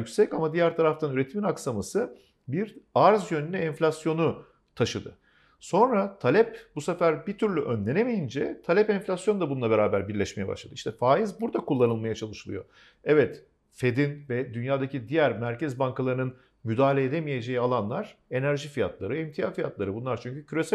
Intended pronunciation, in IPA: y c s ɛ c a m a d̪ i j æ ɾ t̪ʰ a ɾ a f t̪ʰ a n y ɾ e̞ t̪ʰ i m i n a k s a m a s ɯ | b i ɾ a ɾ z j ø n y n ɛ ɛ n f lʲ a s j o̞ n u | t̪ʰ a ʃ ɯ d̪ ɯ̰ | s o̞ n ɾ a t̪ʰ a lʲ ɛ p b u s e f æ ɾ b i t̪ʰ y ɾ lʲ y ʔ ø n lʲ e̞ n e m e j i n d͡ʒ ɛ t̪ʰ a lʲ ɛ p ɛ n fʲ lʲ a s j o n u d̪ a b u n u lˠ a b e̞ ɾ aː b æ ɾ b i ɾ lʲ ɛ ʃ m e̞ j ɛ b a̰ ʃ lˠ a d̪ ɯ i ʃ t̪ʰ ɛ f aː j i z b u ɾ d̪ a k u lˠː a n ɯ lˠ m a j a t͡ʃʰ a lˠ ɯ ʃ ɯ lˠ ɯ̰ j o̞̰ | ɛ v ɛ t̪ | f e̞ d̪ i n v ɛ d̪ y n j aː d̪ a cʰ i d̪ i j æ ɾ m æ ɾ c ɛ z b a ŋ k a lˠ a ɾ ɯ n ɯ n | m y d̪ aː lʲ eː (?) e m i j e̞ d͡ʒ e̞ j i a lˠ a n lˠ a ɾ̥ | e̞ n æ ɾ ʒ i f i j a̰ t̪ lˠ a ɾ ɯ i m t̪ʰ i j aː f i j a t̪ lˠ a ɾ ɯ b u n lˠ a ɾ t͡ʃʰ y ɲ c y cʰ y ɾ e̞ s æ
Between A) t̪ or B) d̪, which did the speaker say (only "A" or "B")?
B